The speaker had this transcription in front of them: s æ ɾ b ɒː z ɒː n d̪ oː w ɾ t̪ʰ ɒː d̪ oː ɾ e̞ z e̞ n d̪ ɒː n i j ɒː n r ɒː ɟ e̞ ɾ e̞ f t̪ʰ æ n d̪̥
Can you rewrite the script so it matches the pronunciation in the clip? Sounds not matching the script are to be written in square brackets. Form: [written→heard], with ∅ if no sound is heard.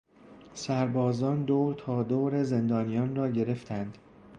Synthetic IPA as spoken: s æ ɾ b ɒː z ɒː n d̪ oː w ɾ t̪ʰ ɒː d̪ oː ɾ e̞ z e̞ n d̪ ɒː n i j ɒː n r ɒː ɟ e̞ ɾ e̞ f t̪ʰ æ n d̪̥